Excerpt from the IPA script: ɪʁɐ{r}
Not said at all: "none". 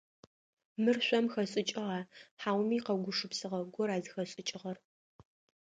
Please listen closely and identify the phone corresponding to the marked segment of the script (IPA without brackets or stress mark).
r